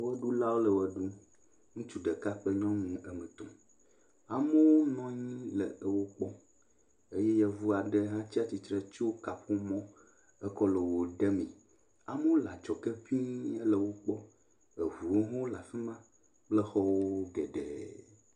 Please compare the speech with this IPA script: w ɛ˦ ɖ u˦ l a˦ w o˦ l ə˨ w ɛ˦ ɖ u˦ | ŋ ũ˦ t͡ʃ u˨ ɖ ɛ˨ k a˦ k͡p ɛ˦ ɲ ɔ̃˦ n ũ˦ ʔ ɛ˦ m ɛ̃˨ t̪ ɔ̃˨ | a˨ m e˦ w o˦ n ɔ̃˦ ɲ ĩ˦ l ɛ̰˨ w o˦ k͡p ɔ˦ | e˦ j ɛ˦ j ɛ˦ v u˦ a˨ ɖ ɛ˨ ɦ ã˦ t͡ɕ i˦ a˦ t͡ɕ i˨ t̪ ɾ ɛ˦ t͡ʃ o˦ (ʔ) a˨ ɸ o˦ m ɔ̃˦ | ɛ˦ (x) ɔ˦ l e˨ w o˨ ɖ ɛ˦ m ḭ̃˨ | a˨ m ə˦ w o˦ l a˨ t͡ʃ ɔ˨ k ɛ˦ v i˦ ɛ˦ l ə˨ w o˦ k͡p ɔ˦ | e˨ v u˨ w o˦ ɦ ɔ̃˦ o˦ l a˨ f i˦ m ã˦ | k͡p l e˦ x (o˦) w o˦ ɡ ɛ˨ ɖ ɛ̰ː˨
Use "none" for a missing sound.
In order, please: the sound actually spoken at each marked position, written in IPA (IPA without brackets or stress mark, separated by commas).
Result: k, k, ɔ˦